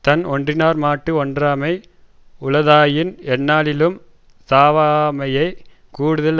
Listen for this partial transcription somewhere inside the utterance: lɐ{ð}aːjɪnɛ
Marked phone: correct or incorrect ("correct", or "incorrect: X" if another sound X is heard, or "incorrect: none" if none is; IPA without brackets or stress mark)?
correct